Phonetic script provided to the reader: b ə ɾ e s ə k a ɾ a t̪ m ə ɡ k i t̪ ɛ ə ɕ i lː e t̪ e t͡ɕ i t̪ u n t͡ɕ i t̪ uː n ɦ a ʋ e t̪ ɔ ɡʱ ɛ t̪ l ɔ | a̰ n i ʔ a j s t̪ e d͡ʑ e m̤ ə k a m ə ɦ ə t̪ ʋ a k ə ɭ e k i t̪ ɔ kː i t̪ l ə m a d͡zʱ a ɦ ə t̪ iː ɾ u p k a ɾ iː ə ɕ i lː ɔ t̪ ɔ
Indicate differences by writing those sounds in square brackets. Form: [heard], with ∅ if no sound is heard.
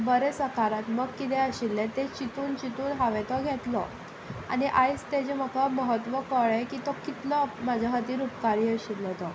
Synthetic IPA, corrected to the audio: b ə ɾ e s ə k a ɾ a t̪ m ə ɡ k i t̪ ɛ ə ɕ i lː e t̪ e t͡ɕ i t̪ [uː] n t͡ɕ i t̪ uː n ɦ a ʋ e t̪ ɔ ɡʱ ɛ t̪ l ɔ | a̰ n i ʔ a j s t̪ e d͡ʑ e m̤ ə k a m ə ɦ ə t̪ ʋ [ə] k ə ɭ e k i t̪ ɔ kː i t̪ l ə m a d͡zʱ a ɦ ə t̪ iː ɾ u p k a ɾ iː ə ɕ i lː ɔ t̪ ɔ